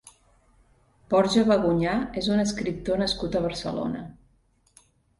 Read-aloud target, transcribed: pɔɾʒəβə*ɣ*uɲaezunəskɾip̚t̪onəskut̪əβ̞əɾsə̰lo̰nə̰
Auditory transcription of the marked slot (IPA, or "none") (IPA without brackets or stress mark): ɣ